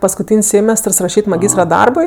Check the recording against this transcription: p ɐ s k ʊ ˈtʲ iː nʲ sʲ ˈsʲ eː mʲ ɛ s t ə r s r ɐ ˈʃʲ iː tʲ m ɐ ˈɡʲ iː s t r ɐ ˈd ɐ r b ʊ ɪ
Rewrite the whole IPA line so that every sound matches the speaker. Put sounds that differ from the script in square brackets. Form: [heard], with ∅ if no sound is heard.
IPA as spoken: p ɐ s k ʊ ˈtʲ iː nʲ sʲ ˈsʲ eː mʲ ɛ s t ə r s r ɐ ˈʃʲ iː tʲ m ɐ ˈɡʲ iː s t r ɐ ˈd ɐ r b ʊ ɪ